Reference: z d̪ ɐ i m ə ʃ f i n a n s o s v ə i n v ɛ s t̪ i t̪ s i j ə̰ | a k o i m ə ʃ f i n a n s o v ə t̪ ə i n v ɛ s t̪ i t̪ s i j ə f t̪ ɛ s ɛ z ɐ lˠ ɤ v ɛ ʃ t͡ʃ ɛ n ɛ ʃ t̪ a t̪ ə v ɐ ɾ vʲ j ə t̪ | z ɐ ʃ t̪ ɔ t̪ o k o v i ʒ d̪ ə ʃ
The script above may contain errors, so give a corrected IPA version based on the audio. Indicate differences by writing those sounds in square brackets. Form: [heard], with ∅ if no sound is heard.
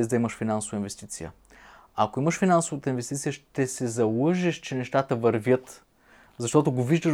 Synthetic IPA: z d̪ ɐ i m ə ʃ f i n a n s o [∅] v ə i n v ɛ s t̪ i t̪ s i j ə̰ | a k o i m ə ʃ f i n a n s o v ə t̪ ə i n v ɛ s t̪ i t̪ s i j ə [ʃ] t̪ ɛ s ɛ z ɐ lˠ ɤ [ʒ] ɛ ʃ t͡ʃ ɛ n ɛ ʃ t̪ a t̪ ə v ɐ ɾ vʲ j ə t̪ | z ɐ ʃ t̪ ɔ t̪ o [ɡ] o v i ʒ d̪ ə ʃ